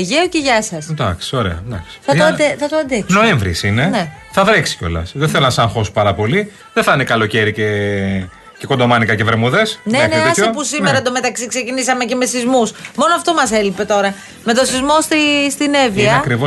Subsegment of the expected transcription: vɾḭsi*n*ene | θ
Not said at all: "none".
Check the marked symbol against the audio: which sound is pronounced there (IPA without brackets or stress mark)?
n